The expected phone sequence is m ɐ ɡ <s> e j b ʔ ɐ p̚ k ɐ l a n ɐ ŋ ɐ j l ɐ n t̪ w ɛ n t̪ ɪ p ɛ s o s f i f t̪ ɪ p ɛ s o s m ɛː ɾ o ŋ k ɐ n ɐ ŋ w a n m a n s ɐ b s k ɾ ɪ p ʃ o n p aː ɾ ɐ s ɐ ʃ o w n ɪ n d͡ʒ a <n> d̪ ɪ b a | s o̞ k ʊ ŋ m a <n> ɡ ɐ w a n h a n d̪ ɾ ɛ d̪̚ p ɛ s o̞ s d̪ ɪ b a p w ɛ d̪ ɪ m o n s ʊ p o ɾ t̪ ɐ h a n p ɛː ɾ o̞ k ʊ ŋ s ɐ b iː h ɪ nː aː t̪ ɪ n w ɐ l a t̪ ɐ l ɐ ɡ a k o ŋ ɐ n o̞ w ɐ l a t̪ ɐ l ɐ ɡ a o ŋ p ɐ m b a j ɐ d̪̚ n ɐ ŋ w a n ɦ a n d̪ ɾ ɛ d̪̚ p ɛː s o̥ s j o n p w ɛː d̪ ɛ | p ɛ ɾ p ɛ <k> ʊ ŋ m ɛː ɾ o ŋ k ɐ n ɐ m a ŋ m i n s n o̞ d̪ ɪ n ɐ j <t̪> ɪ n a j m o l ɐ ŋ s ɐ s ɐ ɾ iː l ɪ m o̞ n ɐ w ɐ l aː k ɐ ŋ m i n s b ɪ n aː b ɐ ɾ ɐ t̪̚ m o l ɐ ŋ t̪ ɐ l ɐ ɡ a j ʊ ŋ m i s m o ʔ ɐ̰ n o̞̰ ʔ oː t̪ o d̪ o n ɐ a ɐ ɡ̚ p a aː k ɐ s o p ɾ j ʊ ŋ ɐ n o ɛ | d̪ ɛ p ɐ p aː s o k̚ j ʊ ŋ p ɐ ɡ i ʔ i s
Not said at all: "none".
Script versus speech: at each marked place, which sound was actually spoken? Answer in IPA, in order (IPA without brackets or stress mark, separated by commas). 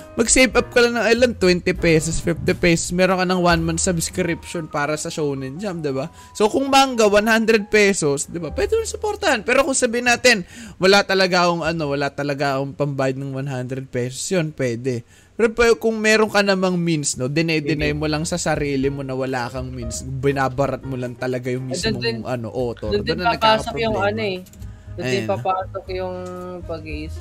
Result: s, m, ŋ, k, d̪